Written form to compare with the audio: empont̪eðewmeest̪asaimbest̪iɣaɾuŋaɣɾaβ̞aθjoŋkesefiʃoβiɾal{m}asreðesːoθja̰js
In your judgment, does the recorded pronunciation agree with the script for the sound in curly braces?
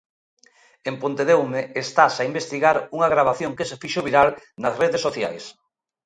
no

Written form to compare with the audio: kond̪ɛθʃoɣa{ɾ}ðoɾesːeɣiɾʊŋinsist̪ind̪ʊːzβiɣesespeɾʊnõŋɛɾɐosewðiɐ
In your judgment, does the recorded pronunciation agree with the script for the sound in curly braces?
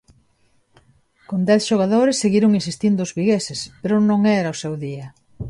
no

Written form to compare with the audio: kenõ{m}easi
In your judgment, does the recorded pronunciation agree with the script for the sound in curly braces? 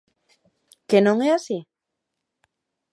no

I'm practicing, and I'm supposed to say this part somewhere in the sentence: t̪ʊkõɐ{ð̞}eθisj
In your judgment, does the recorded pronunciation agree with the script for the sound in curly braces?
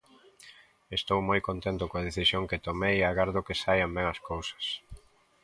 yes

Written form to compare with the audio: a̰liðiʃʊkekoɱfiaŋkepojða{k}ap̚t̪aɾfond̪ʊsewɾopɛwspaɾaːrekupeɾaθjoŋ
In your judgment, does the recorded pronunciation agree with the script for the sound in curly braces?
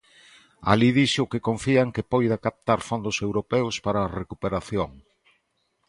yes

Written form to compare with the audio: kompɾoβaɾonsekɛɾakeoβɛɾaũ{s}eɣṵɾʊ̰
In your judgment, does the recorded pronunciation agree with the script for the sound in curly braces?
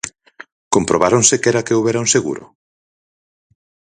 yes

